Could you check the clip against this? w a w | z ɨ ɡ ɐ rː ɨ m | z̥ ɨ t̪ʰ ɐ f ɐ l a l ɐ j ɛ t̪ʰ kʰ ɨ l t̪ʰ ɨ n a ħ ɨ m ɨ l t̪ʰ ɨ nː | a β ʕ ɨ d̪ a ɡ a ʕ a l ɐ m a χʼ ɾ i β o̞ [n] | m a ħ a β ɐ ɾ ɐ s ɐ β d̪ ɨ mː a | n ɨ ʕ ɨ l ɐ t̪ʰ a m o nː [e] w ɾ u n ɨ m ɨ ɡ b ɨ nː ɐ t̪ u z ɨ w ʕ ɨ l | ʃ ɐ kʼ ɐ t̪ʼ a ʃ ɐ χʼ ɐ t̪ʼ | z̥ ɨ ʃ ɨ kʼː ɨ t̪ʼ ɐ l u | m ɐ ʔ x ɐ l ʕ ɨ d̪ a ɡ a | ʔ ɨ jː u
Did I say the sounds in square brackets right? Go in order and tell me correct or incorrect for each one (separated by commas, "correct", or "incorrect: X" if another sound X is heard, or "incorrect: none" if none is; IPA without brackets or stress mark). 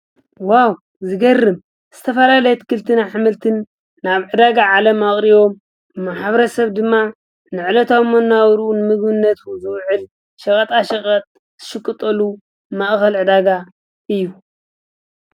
incorrect: m, incorrect: a